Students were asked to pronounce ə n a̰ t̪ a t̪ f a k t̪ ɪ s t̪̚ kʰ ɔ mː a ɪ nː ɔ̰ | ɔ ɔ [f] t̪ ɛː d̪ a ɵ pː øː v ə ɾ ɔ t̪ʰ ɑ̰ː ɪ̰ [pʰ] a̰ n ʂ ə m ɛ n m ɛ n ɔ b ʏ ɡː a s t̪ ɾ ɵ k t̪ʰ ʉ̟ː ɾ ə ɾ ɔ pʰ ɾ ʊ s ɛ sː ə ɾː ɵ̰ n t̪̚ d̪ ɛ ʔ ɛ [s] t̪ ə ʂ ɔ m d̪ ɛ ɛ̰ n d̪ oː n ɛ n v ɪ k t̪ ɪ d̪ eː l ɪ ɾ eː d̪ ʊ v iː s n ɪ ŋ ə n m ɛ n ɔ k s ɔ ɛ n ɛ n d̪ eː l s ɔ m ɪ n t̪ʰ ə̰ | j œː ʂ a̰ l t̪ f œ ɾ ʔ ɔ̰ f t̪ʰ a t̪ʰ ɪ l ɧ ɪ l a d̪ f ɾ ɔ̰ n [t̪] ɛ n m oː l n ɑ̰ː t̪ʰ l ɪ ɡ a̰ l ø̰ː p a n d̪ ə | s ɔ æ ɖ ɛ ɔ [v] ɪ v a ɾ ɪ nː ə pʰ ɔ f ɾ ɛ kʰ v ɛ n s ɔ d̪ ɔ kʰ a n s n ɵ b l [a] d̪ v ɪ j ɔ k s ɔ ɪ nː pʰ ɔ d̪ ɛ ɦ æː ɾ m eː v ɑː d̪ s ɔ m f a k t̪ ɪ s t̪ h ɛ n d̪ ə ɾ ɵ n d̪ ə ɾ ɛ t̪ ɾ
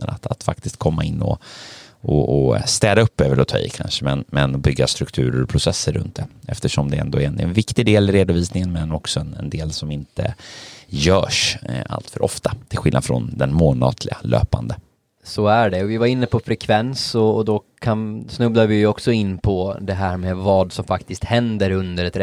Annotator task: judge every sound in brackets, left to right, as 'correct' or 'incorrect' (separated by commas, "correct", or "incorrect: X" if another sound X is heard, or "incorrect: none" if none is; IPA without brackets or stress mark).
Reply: incorrect: s, incorrect: kʰ, incorrect: f, incorrect: d̪, correct, correct